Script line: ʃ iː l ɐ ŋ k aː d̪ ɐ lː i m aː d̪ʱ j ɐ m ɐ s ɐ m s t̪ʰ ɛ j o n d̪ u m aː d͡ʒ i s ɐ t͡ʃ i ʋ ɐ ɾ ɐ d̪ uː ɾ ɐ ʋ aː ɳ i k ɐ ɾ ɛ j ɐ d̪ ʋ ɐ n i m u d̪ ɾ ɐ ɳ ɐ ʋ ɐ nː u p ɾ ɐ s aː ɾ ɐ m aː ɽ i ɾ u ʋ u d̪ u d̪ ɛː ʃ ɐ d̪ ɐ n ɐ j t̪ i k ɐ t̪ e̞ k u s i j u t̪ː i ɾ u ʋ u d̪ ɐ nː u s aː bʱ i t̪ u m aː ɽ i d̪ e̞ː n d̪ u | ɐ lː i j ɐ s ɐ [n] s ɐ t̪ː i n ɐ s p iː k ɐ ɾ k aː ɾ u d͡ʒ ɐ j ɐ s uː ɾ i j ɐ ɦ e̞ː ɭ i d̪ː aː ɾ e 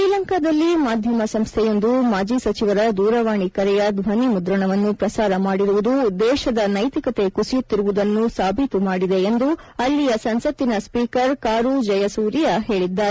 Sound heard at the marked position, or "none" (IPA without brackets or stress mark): n